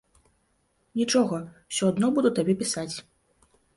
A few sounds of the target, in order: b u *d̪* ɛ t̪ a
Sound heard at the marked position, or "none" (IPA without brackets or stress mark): d̪